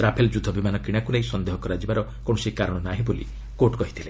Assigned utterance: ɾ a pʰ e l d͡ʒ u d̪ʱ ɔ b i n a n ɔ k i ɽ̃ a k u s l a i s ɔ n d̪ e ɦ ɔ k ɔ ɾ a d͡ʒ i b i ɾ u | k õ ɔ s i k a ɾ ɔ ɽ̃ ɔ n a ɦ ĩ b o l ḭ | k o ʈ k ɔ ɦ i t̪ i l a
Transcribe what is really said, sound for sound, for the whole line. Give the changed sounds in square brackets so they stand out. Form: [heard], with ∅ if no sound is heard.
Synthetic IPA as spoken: ɾ a pʰ e l d͡ʒ u d̪ʱ ɔ b i [m] a n ɔ k i ɽ̃ a k u [∅] l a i s ɔ n d̪ e ɦ ɔ k ɔ ɾ a d͡ʒ i b [a] ɾ [ɔ] | k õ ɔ s i k a ɾ ɔ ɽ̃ ɔ n a ɦ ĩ b o l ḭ | k o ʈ k ɔ ɦ i [t̪ʰ] i l [e]

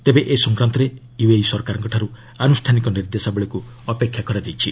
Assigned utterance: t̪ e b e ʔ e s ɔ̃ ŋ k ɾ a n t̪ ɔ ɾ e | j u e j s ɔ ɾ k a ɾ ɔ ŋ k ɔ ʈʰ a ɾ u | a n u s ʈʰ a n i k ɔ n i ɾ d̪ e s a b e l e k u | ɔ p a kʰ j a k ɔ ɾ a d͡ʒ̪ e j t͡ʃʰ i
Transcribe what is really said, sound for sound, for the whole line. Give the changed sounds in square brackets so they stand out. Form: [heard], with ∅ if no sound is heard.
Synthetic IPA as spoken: t̪ e b e ʔ e s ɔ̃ ŋ k ɾ a n t̪ ɔ ɾ e | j u e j s ɔ ɾ k a ɾ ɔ ŋ k ɔ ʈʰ a ɾ u | a n u s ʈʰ a n i k ɔ n i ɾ d̪ e s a b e [ɭ] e k u | ɔ p [e] kʰ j a k ɔ ɾ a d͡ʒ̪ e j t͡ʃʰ i

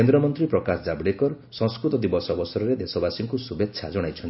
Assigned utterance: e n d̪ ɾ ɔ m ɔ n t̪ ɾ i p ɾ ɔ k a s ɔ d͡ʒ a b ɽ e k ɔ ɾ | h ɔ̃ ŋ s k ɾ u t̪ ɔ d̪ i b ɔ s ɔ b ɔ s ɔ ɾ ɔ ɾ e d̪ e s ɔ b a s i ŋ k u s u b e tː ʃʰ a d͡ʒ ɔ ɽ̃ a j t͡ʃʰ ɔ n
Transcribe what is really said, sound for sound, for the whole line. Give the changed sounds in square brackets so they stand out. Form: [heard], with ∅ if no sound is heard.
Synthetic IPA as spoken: e n d̪ ɾ ɔ m ɔ n t̪ ɾ i p ɾ ɔ k a s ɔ d͡ʒ a b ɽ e k ɔ ɾ | [s] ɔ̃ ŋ s k ɾ u t̪ ɔ d̪ i b ɔ s ɔ b ɔ s ɔ ɾ ɔ ɾ e d̪ e s ɔ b a s i ŋ k u s u b e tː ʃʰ a d͡ʒ ɔ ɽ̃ a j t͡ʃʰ ɔ n

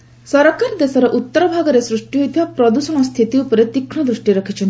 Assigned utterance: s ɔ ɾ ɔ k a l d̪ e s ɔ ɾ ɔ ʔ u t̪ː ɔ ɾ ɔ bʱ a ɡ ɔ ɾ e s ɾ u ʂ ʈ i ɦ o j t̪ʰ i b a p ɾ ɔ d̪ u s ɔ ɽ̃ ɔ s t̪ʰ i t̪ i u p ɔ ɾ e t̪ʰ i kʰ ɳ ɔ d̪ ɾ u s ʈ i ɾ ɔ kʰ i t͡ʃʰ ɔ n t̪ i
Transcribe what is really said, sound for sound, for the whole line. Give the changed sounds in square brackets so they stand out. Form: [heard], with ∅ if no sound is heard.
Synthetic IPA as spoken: s ɔ ɾ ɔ k a [ɾ] d̪ e s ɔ ɾ ɔ ʔ u t̪ː ɔ ɾ ɔ bʱ a ɡ ɔ ɾ e s ɾ u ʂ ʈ i ɦ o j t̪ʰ i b a p ɾ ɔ d̪ u s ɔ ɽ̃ ɔ s t̪ʰ i t̪ i u p ɔ ɾ e [t̪] i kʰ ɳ ɔ d̪ ɾ u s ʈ i ɾ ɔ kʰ i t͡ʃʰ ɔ n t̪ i

